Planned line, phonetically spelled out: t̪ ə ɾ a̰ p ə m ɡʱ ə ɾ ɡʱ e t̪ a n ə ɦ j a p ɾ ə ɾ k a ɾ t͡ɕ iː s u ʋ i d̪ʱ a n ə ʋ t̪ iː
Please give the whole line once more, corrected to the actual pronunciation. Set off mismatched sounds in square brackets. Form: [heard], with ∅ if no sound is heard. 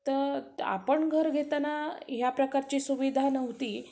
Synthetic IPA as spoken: t̪ ə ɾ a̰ p ə [ɳ] ɡʱ ə ɾ ɡʱ e t̪ a n [a] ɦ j a p ɾ ə [∅] k a ɾ t͡ɕ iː s u ʋ i d̪ʱ a n ə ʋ t̪ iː